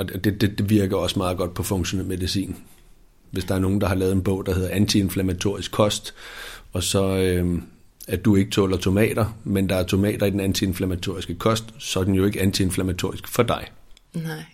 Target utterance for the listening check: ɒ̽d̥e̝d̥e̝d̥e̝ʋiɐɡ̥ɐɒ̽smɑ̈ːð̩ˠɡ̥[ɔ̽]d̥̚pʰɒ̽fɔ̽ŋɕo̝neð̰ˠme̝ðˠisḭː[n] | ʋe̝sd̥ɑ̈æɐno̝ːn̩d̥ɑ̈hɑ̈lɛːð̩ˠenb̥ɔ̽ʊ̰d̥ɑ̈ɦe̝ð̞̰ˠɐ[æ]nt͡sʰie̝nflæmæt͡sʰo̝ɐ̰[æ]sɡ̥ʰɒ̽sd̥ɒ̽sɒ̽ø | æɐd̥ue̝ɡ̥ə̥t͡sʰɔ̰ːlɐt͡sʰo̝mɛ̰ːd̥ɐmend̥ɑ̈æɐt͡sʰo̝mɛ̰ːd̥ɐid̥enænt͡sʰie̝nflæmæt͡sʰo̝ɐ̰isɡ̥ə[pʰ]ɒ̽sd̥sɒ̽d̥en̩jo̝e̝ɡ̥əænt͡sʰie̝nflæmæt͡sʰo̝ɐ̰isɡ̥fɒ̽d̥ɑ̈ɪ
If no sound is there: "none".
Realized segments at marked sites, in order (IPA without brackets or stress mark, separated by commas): ɒ̽, n, æ, i, kʰ